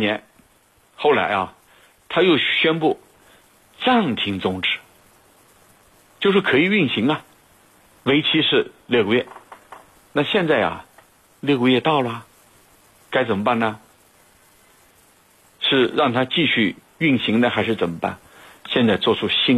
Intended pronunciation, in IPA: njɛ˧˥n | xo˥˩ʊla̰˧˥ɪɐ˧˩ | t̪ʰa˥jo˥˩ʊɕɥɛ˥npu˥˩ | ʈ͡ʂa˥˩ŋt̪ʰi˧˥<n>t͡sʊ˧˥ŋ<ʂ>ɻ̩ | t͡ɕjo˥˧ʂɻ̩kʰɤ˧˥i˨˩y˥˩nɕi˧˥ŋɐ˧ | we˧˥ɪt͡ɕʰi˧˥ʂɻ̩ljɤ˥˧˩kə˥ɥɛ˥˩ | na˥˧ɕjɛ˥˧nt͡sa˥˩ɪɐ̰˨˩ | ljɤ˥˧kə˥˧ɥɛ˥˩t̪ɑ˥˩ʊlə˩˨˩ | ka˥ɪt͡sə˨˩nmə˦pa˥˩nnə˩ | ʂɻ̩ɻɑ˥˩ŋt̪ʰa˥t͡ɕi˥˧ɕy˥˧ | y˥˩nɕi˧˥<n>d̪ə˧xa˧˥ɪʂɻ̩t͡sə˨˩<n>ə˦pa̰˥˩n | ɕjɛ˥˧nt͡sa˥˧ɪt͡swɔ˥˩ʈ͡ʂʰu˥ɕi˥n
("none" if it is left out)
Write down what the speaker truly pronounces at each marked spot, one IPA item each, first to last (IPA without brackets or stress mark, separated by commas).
ŋ, ʈ͡ʂ, ŋ, m